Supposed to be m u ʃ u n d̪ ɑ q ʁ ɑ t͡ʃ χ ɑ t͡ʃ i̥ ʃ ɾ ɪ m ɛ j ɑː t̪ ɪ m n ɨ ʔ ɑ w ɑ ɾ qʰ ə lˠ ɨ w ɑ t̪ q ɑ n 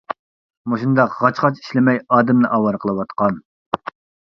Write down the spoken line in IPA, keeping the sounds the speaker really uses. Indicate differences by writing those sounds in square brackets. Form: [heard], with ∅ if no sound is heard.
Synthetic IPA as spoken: m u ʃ u n d̪ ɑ q ʁ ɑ t͡ʃ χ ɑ t͡ʃ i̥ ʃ [l] ɪ m ɛ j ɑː [d̪] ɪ m n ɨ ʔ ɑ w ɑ ɾ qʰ ə lˠ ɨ w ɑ t̪ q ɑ n